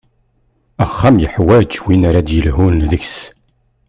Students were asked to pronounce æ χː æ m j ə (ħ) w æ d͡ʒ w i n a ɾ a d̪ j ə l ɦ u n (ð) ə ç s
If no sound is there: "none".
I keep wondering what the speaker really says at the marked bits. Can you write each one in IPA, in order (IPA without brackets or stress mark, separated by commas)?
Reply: ħ, ð